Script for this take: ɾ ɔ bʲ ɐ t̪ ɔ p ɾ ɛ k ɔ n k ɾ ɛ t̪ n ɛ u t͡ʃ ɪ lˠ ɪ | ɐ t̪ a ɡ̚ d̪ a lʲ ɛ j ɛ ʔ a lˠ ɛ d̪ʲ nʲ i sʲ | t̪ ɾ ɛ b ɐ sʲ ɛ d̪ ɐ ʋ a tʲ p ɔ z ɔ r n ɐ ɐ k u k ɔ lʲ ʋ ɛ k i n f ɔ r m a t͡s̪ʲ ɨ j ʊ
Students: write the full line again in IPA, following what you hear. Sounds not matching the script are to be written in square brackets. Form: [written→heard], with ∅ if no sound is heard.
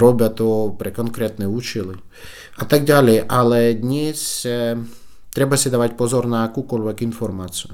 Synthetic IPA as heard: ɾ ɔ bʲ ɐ t̪ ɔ p ɾ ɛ k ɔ n k ɾ ɛ t̪ n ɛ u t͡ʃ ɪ lˠ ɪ | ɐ t̪ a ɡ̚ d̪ a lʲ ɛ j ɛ ʔ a lˠ ɛ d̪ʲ nʲ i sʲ | t̪ ɾ ɛ b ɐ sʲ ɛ d̪ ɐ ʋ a tʲ p ɔ z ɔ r n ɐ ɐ k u k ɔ lʲ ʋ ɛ k i n f ɔ r m a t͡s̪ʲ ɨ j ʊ